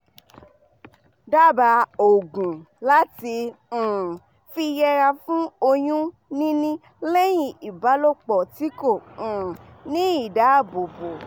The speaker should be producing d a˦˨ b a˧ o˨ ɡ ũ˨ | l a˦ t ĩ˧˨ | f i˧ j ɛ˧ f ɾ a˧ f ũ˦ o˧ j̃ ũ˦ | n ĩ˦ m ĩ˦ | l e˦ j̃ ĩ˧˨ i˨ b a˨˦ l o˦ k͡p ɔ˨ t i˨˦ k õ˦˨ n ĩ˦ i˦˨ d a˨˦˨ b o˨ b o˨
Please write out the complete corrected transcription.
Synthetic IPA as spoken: d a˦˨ b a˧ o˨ ɡ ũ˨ | l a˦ t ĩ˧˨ | f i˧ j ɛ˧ ɾ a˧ f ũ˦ o˧ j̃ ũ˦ | n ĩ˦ n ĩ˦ | l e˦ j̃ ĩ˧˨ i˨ b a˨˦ l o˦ k͡p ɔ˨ t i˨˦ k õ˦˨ n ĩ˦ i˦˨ d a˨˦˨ b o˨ b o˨